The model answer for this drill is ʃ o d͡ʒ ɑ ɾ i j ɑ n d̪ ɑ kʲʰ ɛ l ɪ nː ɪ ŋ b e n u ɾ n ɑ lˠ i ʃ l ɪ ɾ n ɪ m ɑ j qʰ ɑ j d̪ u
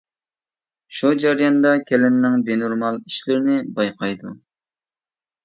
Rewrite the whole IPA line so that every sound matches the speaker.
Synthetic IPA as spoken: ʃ u d͡ʒ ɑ ɾ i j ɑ n d̪ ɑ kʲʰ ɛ l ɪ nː ɪ ŋ b e n u ɾ m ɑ lˠ i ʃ l ɪ ɾ n ɪ b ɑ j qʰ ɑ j d̪ u